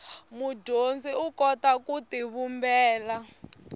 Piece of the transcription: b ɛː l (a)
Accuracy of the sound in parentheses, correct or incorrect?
correct